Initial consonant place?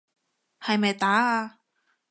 glottal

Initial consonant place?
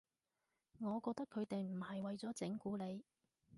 velar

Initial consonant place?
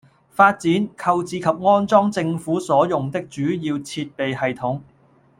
labial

